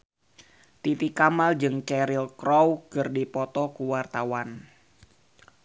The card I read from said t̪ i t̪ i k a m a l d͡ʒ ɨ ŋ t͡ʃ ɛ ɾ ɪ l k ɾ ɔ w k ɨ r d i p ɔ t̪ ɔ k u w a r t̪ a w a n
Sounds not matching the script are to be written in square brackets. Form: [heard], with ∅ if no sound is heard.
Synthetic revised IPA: t̪ i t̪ i k a m a l d͡ʒ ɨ ŋ t͡ʃ ɛ ɾ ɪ l k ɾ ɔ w k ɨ r d i p ɔ t̪ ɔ k u w a r t̪ a w a n